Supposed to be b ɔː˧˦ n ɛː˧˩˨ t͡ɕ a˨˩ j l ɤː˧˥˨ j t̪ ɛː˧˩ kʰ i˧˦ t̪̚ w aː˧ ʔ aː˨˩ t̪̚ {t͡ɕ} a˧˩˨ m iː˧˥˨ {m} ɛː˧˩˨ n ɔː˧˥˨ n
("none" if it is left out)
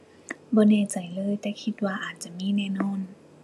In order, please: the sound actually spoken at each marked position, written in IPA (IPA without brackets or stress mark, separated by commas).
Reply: t͡ɕ, n